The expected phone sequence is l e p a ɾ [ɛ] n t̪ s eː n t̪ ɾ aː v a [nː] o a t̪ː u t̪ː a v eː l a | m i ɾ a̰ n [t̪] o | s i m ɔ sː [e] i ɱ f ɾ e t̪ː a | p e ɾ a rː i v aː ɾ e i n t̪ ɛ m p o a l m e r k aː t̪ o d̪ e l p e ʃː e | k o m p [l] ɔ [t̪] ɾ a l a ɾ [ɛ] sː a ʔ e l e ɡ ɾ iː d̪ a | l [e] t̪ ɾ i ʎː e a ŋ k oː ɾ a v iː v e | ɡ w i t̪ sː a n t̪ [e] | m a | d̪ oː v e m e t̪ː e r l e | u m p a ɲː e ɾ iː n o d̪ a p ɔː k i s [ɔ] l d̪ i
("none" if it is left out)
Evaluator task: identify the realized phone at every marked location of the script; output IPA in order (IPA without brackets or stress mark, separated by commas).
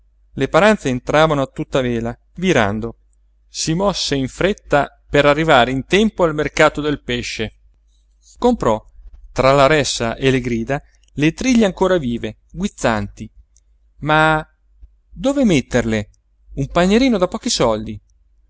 a, n, d̪, e, ɾ, t̪, ɛ, e, i, ɔ